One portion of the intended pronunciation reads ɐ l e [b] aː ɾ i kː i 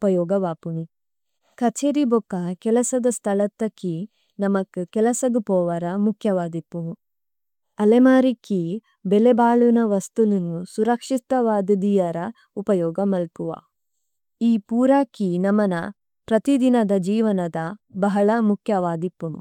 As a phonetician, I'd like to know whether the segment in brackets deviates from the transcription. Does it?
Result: yes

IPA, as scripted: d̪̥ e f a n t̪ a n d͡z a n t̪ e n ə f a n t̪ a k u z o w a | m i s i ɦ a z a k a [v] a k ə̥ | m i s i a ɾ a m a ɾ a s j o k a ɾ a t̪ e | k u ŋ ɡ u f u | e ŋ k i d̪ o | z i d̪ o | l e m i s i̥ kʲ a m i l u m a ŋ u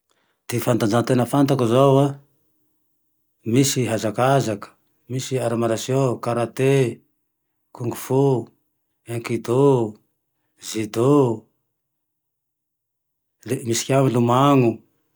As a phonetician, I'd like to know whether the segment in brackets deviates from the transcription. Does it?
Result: yes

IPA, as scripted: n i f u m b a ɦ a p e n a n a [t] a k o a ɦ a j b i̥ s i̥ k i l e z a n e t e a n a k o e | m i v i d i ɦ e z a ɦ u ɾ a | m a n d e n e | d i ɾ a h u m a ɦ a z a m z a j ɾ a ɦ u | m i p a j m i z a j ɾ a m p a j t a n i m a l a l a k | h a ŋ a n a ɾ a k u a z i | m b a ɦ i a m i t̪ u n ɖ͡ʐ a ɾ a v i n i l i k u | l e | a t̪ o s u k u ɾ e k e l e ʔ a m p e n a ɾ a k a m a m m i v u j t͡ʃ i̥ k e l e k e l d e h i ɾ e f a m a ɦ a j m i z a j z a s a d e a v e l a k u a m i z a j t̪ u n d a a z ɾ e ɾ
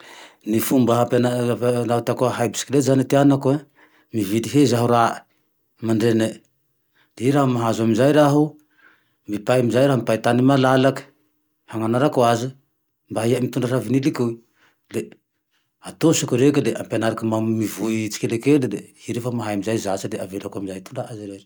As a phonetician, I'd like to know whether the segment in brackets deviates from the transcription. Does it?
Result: no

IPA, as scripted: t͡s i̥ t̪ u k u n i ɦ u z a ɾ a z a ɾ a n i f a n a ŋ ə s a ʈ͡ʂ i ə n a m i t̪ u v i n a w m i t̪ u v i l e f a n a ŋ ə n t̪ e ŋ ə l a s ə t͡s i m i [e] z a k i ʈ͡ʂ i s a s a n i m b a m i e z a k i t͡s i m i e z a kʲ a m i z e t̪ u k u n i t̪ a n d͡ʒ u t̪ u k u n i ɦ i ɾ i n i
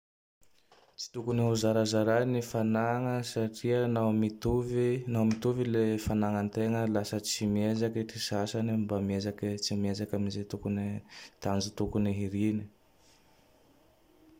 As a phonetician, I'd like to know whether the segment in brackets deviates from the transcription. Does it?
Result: no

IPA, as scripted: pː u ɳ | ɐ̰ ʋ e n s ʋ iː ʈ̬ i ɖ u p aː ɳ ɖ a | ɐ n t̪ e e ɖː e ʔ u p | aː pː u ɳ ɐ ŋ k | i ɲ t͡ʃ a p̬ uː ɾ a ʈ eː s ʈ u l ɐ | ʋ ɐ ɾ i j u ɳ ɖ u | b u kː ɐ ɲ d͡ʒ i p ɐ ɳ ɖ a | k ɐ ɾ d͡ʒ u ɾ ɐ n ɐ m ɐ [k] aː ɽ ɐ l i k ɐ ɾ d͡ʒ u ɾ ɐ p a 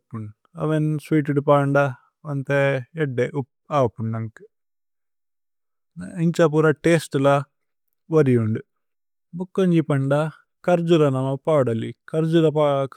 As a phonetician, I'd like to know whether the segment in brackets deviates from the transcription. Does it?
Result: yes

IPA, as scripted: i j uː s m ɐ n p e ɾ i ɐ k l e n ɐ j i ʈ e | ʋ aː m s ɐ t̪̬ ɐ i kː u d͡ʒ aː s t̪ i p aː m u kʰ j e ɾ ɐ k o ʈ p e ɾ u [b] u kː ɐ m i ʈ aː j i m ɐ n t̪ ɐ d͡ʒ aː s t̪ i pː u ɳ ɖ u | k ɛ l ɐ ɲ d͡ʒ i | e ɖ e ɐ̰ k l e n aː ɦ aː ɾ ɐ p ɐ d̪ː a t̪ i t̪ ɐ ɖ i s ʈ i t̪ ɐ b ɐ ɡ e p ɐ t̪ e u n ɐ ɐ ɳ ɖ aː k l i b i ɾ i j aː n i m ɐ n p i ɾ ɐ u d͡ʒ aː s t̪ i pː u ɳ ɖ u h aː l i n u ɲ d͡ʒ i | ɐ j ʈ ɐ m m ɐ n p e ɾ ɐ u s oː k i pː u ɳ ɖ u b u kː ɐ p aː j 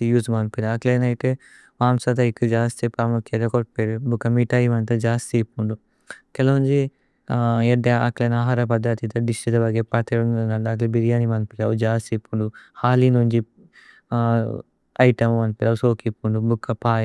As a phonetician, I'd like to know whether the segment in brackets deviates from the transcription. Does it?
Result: no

